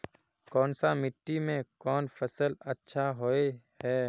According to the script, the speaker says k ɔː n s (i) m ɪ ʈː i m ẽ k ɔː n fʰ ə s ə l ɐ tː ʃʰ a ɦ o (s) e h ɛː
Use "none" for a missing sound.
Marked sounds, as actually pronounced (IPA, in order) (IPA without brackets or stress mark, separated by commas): a, none